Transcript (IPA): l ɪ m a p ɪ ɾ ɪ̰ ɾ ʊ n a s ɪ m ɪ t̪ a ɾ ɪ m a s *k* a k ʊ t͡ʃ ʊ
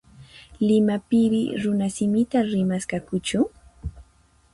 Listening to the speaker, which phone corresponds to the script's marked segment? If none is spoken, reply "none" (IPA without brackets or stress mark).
k